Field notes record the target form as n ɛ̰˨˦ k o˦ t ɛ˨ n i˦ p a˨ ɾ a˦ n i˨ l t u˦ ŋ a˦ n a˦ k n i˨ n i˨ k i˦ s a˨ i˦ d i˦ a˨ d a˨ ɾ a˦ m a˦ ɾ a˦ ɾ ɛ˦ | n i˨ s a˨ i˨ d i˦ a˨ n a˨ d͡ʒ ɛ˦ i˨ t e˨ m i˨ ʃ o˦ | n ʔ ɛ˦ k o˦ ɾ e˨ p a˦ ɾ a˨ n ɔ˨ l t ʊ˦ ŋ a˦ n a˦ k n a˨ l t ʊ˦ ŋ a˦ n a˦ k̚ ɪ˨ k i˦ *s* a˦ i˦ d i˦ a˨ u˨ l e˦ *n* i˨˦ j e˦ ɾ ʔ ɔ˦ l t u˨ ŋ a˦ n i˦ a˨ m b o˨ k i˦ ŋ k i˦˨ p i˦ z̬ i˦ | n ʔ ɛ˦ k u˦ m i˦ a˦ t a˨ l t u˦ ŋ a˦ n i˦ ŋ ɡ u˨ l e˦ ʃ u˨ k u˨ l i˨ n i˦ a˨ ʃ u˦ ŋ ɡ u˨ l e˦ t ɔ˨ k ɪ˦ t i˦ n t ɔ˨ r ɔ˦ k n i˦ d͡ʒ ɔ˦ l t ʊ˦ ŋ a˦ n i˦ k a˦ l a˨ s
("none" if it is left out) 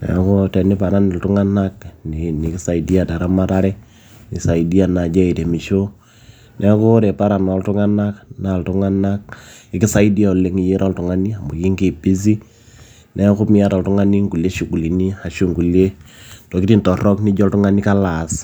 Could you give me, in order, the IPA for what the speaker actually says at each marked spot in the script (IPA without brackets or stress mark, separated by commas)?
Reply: s, ŋ